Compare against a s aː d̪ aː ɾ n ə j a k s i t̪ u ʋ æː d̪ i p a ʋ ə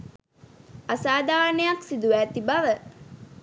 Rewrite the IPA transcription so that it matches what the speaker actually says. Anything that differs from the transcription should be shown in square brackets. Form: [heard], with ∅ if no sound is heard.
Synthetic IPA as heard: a s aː d̪ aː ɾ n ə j a k s i [d̪] u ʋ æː [t̪] i [b] a ʋ ə